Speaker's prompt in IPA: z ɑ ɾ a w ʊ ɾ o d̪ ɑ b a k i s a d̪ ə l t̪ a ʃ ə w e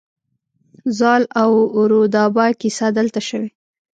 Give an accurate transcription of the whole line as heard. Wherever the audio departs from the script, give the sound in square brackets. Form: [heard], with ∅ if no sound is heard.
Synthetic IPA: z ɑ [l] a w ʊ ɾ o d̪ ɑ b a k i s a d̪ ə l t̪ a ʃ ə w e

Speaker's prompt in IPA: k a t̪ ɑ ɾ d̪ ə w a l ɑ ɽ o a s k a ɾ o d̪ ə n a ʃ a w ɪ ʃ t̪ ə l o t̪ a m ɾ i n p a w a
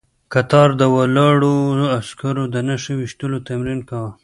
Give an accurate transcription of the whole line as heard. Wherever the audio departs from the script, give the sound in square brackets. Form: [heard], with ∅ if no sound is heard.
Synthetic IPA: k a t̪ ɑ ɾ d̪ ə w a l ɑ ɽ o a s k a ɾ o d̪ ə n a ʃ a w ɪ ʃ t̪ ə l o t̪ a m ɾ i n [k] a w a

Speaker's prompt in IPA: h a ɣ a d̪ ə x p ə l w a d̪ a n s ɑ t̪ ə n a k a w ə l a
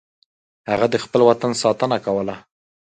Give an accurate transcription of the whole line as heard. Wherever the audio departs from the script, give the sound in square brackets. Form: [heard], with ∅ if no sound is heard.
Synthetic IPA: h a ɣ a d̪ ə x p ə l w a [t̪] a n s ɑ t̪ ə n a k a w ə l a

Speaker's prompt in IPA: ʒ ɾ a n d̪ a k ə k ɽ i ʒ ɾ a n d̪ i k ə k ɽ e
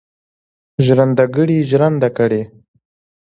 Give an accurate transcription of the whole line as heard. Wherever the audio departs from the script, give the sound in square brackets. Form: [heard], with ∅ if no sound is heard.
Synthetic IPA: ʒ ɾ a n d̪ a [ɡ] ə [∅] ɽ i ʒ ɾ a n d̪ [a] k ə [∅] ɽ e

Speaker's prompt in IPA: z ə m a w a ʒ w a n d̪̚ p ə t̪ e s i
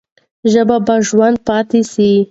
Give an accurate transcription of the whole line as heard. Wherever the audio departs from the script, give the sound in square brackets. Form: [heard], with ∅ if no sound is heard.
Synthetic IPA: [ʒ] ə [b] a [b] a ʒ w a n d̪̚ p [ɑ] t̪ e s i

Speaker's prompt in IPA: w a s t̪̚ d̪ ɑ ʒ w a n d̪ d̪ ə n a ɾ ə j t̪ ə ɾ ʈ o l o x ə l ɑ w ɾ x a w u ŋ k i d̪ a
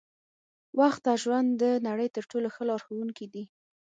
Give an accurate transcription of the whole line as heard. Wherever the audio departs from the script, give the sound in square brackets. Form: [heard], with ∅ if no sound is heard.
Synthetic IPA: w a [x] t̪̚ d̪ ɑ ʒ w a n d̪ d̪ ə n a [ɽ] ə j t̪ ə ɾ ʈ o l o x ə l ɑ [∅] ɾ x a w u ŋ k i d̪ [i]

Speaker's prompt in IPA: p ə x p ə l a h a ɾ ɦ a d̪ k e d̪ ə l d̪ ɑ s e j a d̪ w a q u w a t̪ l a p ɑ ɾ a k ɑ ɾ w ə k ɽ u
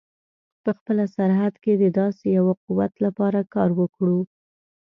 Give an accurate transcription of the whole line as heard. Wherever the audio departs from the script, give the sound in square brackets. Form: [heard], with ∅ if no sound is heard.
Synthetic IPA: p ə x p ə l a [s] a ɾ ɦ a d̪ k e d̪ ə [∅] d̪ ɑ s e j a [∅] w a q u w a t̪ l a p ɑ ɾ a k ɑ ɾ w ə k ɽ u

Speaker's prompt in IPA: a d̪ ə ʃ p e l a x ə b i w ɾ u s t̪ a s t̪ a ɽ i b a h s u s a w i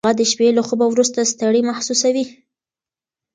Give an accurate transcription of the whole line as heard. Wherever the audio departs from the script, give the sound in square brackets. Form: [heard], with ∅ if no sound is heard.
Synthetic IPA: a d̪ ə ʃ p e l a x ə b [a] w ɾ u s t̪ a s t̪ a ɽ i [m] a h s u s a w i

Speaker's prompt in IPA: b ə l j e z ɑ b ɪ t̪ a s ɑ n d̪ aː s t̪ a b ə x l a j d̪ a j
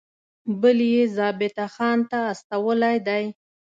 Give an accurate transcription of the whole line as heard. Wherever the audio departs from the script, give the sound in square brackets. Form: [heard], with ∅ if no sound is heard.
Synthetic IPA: b ə l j e z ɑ b ɪ t̪ a [x] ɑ n [t̪] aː s t̪ a [w] ə [∅] l a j d̪ a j

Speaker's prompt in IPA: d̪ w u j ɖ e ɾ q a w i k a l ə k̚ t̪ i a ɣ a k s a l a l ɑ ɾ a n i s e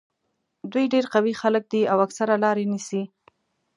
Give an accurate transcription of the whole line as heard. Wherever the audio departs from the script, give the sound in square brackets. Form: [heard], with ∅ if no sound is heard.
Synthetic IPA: d̪ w u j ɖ e ɾ q a w i [x] a l ə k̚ [d̪] i a [w] a k s a [ɾ] a l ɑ ɾ [e] n i s [i]

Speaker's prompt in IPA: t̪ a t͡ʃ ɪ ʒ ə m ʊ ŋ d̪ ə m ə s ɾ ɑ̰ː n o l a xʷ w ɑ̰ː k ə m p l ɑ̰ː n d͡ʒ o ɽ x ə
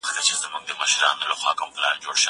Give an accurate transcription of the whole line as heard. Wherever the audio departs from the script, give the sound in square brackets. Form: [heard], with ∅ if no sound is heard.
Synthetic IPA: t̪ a t͡ʃ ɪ [z] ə m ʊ ŋ d̪ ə m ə [ʃ] ɾ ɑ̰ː n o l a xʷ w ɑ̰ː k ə m p l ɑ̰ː n d͡ʒ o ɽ [ʃ] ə

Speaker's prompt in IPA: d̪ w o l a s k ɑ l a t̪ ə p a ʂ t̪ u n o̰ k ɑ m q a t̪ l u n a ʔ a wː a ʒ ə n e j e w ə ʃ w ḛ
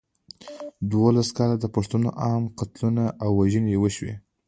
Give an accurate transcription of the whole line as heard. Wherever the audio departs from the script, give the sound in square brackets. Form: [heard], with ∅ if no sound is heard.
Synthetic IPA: d̪ w o l a s k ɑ l a [d̪] ə p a ʂ t̪ u n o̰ [ʔ] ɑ m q a t̪ l u n a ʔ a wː a ʒ ə n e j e w ə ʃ w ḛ

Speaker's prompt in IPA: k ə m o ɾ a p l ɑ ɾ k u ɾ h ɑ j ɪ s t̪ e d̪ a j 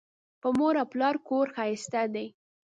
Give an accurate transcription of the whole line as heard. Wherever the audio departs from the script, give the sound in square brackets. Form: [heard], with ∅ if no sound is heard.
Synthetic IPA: [p] ə m o ɾ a p l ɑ ɾ k [o] ɾ [x] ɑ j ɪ s t̪ [a] d̪ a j

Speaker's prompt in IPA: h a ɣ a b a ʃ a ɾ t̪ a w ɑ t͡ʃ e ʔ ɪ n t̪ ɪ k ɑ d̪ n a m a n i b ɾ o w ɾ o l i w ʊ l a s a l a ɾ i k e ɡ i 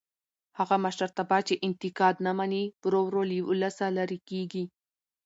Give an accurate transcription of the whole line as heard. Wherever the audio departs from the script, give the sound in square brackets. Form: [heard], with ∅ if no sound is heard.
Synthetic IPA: h a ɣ a [m] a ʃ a ɾ t̪ a [b] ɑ t͡ʃ e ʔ ɪ n t̪ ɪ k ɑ d̪ n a m a n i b ɾ o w ɾ o l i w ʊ l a s a l a ɾ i k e ɡ i

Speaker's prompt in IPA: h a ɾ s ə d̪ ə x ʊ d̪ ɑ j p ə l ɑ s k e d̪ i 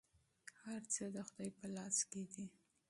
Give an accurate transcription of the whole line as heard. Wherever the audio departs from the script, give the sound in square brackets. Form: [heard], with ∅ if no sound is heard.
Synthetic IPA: h a ɾ [t͡s] ə d̪ ə x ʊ d̪ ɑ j p ə l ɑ s k e d̪ i

